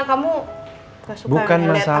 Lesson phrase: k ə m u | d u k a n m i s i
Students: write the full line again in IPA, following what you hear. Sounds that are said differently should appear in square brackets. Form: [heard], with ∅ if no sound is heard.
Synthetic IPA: k [a] m u | [b] u k a n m [a] s [a]